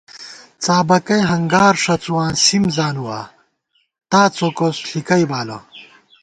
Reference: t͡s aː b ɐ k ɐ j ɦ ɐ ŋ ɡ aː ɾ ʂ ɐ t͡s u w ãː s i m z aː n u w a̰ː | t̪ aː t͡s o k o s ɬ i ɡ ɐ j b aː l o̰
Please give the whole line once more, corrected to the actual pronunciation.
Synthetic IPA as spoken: t͡s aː b ɐ k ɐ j ɦ ɐ ŋ ɡ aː ɾ ʂ ɐ t͡s u w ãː s i m z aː n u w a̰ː | t̪ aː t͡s o k o s ɬ i k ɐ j b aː l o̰